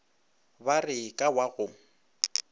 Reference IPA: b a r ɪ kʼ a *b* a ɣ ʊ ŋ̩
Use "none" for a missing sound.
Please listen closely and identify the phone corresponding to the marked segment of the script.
w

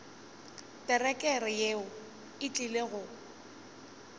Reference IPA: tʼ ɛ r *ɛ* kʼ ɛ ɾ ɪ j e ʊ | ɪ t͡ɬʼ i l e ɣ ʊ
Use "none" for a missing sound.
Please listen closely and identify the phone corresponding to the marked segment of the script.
ɛ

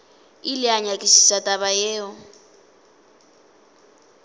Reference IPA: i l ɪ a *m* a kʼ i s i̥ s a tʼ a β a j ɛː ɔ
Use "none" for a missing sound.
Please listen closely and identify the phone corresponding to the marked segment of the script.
ɲ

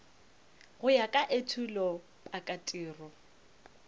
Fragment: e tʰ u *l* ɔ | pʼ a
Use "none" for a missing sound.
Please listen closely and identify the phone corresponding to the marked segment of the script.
l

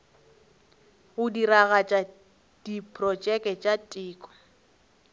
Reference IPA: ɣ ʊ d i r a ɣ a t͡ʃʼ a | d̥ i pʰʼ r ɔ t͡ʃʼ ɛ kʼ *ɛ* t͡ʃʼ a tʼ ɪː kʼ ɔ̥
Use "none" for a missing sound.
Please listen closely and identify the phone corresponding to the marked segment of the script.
ɛ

